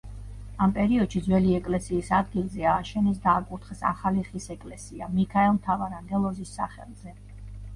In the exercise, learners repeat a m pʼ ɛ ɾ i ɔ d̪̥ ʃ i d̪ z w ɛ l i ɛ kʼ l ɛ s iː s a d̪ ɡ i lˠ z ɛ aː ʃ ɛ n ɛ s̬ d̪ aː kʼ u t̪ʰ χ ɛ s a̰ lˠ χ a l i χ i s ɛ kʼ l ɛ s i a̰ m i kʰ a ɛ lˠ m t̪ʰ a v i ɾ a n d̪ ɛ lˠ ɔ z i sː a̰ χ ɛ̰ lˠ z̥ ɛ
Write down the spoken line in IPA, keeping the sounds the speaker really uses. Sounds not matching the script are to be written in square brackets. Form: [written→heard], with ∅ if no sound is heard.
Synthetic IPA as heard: a m pʼ ɛ ɾ i ɔ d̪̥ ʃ i d̪ z w ɛ l i ɛ kʼ l ɛ s iː s a d̪ ɡ i lˠ z ɛ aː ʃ ɛ n ɛ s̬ d̪ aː kʼ u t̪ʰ χ ɛ s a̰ [lˠ→∅] χ a l i χ i s ɛ kʼ l ɛ s i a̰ m i kʰ a ɛ lˠ m t̪ʰ a v [i→a] ɾ a n d̪ ɛ lˠ ɔ z i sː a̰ χ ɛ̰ lˠ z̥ ɛ